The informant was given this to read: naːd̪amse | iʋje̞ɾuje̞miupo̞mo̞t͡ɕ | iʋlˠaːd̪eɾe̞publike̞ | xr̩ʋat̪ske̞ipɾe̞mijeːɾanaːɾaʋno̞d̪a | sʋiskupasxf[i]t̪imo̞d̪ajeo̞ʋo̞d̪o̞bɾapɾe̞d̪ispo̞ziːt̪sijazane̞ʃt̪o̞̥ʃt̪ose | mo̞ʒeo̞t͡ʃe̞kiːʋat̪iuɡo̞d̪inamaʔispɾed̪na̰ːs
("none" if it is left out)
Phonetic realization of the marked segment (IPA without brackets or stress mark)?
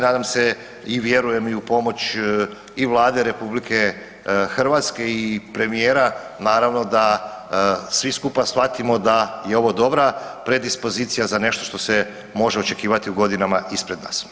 a